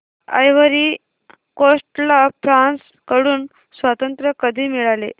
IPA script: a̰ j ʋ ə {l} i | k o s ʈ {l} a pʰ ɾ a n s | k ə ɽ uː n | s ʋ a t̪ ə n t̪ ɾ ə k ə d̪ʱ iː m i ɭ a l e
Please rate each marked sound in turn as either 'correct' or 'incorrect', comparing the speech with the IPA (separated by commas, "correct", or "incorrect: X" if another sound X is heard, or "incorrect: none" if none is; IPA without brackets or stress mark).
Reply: incorrect: ɾ, correct